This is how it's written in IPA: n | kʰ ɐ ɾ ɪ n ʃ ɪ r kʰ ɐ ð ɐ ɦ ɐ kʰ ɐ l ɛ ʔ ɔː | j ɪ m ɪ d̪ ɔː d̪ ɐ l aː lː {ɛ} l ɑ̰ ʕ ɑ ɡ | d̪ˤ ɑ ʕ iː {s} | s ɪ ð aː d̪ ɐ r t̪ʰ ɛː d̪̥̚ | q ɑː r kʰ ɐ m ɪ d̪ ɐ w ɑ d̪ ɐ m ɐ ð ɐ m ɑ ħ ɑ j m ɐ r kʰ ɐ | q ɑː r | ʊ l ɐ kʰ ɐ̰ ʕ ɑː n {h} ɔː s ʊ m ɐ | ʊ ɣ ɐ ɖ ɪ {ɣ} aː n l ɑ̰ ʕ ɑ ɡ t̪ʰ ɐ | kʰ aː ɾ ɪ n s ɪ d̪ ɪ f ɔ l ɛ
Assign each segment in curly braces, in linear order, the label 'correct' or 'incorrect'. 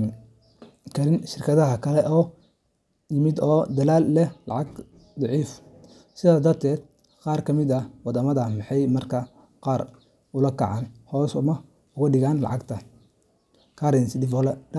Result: correct, incorrect: f, correct, correct

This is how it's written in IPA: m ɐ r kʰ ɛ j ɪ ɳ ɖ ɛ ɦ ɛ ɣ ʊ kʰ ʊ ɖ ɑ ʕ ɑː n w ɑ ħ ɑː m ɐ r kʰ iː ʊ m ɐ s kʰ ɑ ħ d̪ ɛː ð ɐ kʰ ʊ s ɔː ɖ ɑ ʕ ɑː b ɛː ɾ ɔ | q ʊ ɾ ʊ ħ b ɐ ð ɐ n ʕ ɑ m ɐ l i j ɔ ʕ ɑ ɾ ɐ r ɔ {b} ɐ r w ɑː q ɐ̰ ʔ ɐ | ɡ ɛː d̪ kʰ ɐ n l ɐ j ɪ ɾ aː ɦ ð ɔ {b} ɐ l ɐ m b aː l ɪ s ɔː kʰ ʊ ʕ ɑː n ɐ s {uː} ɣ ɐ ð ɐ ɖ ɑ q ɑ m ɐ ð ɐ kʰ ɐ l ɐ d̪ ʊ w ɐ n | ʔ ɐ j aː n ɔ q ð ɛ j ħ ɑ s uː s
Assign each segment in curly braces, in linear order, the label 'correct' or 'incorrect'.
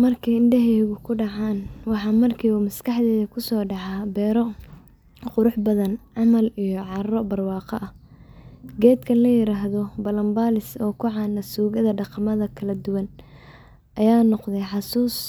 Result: correct, correct, correct

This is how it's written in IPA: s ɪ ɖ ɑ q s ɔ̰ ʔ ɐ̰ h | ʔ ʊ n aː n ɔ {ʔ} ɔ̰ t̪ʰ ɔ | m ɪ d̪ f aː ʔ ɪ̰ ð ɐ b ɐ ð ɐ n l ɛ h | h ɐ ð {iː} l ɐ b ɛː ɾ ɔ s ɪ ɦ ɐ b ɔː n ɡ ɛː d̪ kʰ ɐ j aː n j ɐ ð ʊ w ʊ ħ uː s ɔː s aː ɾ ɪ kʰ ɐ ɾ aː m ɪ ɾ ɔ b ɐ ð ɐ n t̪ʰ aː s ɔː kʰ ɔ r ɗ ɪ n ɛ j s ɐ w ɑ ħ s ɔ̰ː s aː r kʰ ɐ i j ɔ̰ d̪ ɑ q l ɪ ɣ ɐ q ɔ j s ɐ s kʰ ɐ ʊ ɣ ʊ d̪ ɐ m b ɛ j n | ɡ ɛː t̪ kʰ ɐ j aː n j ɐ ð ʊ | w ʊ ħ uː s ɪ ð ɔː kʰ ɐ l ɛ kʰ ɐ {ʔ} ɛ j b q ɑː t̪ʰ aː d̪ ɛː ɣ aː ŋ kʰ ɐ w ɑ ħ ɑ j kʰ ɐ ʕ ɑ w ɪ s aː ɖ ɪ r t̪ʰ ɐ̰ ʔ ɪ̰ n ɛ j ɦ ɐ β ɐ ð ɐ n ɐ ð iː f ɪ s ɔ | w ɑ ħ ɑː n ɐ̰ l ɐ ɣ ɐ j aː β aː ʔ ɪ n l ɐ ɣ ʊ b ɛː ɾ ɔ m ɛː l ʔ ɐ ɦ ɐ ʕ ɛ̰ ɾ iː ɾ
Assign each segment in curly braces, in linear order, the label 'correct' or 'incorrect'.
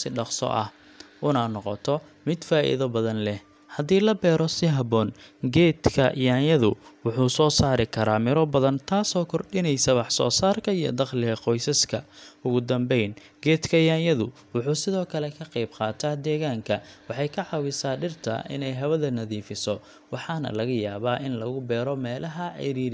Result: incorrect: q, correct, incorrect: q

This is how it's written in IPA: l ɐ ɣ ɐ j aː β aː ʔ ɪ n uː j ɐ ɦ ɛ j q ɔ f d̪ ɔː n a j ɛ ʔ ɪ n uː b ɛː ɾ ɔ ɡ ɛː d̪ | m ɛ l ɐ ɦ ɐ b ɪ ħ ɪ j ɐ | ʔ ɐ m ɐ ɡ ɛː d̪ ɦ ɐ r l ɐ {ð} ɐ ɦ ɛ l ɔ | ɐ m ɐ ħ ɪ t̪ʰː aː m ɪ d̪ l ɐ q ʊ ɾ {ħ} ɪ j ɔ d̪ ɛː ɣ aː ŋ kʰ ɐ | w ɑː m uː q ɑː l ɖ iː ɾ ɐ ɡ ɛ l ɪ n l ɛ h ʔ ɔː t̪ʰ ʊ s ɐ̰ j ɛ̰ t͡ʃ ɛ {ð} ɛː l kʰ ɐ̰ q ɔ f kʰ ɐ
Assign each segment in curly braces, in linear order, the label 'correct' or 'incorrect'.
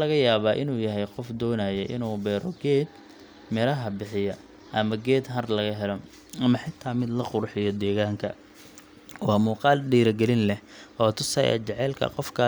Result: incorrect: ɣ, correct, incorrect: ʕ

